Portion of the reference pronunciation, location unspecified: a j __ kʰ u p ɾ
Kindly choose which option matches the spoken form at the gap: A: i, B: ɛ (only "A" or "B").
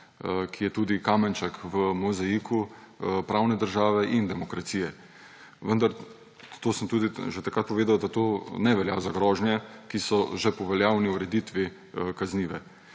A